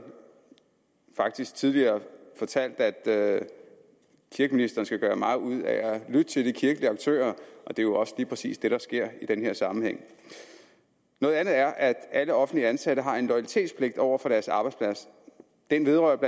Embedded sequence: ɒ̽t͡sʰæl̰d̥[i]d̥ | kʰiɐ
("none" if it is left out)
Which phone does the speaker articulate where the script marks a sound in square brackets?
æ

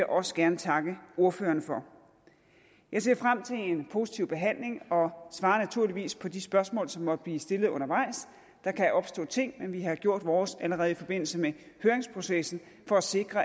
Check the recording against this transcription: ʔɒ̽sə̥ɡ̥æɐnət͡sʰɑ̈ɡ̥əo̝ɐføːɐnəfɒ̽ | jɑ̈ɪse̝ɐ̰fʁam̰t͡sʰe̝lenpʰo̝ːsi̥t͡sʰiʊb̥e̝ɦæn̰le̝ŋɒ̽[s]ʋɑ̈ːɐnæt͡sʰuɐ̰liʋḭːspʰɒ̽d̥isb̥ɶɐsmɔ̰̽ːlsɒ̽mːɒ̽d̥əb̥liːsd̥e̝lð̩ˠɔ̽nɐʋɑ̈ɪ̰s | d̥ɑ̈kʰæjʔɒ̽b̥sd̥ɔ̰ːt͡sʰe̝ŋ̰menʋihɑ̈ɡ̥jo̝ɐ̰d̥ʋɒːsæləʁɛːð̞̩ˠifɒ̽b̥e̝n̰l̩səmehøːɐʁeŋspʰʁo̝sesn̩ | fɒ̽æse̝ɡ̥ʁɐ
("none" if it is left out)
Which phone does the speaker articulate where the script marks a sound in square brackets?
s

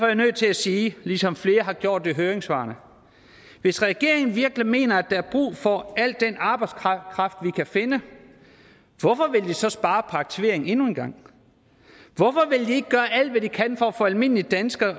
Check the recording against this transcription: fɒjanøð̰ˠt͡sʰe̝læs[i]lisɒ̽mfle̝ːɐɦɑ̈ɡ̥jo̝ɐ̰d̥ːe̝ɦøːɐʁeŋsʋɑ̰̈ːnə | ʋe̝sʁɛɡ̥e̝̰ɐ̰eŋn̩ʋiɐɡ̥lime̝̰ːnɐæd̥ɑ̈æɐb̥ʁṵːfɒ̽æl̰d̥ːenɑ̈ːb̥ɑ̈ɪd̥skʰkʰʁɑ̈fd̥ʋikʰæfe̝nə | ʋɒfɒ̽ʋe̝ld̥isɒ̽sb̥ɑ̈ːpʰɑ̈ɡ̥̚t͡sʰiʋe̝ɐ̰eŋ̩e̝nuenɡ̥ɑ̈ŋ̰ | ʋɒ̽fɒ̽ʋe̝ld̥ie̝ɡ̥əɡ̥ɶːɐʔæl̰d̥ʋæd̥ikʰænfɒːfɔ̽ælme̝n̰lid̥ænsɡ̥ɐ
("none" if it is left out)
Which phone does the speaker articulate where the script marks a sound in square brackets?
iː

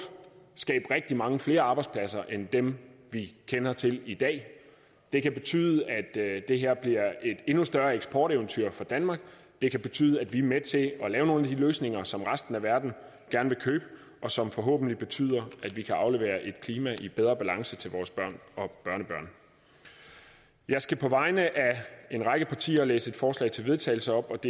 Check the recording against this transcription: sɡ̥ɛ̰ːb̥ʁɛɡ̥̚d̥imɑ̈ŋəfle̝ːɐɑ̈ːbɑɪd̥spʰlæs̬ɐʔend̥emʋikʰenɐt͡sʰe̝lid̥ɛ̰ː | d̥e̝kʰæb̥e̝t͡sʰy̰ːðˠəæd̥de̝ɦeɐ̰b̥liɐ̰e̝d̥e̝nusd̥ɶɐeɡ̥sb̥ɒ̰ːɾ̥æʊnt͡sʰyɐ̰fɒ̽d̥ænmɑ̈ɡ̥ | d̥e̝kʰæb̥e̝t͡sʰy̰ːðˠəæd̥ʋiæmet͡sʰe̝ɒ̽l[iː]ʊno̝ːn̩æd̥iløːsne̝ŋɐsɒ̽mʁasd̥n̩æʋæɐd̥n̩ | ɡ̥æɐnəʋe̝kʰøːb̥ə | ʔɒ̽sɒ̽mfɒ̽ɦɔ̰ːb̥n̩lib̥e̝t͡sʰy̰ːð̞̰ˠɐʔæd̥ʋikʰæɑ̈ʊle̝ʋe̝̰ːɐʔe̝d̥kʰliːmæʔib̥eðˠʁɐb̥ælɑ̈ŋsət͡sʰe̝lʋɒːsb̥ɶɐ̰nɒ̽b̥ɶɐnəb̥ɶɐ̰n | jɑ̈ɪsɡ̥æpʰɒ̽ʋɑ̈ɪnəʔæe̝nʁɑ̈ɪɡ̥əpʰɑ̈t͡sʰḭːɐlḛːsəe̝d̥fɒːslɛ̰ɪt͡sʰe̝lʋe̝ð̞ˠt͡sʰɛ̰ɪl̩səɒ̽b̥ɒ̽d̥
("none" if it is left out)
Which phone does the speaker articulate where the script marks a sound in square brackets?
ɛː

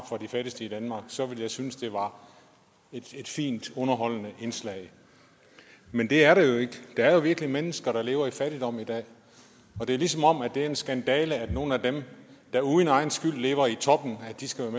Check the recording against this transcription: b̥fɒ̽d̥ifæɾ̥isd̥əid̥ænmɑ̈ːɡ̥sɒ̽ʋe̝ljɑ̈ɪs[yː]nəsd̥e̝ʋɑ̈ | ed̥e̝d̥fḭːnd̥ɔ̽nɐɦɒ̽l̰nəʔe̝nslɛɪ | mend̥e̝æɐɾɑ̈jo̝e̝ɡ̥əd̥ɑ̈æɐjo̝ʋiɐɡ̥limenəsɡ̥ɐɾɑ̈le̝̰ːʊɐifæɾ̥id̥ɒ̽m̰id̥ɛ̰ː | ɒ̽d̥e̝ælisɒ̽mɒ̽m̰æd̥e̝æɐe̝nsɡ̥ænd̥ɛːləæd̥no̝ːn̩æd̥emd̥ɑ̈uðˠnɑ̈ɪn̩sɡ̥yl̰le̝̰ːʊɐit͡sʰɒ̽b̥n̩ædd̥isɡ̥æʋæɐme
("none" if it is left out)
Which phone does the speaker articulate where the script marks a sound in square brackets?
y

